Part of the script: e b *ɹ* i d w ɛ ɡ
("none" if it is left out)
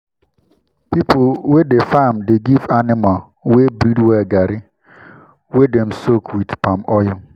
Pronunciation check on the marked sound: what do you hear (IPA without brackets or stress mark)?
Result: ɾ